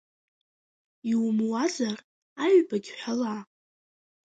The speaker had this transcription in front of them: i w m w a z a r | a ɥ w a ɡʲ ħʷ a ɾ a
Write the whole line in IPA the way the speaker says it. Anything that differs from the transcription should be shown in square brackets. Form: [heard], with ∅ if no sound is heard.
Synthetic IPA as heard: i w m w a z a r | a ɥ [b] a ɡʲ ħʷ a [l] a